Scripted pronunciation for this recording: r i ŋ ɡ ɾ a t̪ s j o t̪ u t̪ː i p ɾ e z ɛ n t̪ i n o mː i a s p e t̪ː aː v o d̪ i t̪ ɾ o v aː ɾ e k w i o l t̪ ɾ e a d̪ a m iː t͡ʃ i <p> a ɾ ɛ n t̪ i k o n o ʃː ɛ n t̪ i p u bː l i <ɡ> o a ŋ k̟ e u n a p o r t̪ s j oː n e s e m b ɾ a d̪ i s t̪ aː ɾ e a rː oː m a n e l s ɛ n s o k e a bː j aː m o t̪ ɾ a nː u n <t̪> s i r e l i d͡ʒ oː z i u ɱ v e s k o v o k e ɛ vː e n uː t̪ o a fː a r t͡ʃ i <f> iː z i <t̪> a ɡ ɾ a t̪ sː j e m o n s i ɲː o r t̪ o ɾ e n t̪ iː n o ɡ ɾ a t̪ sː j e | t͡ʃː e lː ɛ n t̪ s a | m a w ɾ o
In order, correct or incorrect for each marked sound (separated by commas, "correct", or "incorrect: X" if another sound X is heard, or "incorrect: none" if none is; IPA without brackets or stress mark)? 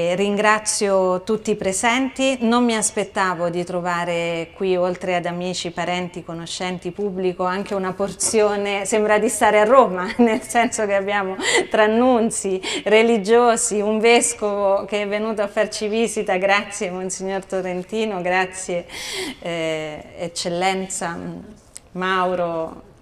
correct, incorrect: k, correct, incorrect: v, correct